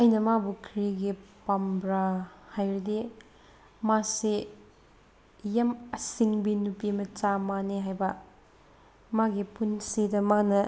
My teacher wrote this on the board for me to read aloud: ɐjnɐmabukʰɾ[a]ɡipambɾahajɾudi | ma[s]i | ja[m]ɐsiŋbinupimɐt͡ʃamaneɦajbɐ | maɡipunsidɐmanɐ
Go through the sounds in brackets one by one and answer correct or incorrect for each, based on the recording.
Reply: incorrect, correct, correct

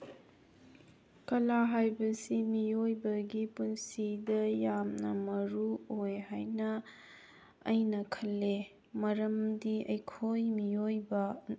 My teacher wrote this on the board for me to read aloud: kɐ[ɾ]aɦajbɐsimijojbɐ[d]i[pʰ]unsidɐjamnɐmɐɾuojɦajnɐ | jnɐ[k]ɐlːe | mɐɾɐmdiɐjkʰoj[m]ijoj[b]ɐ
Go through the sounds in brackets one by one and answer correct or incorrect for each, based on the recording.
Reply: incorrect, incorrect, incorrect, incorrect, correct, correct

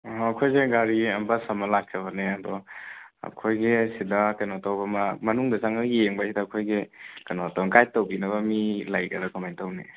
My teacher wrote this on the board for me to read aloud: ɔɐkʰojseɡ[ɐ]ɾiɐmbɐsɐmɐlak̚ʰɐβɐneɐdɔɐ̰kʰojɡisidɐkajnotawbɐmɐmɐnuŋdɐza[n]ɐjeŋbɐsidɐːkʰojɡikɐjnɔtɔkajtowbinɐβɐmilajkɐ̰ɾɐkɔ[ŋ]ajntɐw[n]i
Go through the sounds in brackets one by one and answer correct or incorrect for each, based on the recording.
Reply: incorrect, incorrect, incorrect, correct

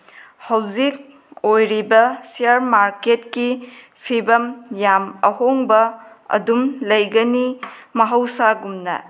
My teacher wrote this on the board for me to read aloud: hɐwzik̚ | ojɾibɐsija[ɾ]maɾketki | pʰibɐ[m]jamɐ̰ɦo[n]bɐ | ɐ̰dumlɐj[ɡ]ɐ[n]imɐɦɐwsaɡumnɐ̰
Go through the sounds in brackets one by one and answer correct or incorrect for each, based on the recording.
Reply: correct, correct, incorrect, correct, correct

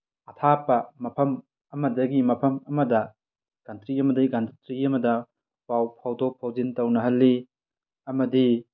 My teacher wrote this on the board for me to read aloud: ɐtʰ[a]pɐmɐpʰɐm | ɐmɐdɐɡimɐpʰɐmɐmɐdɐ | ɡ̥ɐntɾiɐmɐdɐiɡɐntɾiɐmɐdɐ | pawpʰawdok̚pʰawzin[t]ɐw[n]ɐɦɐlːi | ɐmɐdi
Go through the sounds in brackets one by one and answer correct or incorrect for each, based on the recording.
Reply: correct, correct, correct

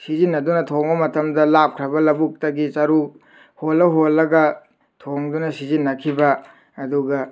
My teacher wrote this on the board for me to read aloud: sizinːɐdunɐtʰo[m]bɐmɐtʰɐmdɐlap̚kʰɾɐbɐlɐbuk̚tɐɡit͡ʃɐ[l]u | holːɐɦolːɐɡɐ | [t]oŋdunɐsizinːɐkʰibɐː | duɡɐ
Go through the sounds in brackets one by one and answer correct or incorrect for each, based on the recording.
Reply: incorrect, incorrect, incorrect

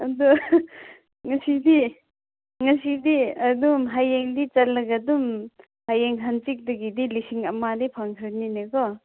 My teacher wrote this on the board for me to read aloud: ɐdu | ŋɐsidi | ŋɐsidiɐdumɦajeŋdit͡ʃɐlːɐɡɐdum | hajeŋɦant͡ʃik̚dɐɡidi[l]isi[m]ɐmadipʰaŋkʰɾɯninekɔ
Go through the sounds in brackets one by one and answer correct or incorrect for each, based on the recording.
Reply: correct, incorrect

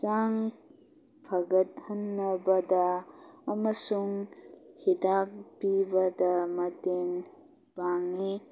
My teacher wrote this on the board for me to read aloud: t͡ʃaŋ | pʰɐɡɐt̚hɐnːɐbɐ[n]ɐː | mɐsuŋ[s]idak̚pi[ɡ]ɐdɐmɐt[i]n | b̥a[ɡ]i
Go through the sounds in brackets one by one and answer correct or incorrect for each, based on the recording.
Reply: incorrect, incorrect, incorrect, incorrect, incorrect

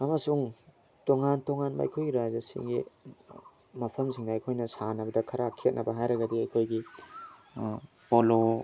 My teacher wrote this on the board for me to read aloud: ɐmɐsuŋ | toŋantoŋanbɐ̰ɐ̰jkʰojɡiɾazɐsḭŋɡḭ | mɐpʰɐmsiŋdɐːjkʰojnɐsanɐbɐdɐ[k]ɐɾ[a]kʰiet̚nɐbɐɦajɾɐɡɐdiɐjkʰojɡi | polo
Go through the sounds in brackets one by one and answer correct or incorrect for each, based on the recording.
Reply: incorrect, correct

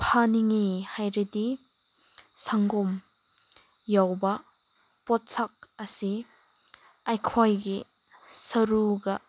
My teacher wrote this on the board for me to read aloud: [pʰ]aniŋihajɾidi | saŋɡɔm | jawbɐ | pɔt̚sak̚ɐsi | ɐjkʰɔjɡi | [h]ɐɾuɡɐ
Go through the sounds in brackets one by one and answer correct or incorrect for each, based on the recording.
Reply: correct, incorrect

